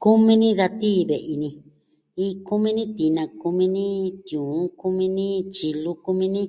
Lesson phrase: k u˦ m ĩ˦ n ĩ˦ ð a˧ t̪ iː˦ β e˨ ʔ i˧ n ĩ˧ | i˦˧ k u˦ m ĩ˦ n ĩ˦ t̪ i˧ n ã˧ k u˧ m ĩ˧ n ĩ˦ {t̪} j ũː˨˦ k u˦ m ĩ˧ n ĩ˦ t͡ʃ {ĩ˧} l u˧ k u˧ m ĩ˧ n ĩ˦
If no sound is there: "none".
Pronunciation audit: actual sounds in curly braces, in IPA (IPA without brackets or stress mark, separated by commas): t̪, i˧